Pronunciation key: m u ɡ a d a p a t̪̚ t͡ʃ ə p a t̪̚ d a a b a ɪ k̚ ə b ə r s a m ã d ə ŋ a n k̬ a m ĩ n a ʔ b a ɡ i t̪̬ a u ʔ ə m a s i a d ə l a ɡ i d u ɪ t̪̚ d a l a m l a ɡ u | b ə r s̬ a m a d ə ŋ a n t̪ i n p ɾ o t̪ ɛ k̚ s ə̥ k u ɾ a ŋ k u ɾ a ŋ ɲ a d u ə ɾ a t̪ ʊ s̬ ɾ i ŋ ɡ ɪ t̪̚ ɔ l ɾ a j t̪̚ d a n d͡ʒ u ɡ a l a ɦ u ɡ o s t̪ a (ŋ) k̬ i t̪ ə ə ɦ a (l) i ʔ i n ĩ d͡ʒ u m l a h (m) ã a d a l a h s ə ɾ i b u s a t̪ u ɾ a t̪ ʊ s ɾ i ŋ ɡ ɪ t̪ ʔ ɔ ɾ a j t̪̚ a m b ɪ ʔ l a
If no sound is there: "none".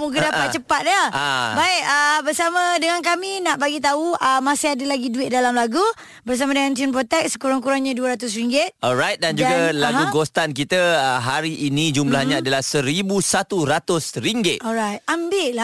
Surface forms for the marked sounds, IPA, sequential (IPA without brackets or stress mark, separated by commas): n, ɾ, ɲ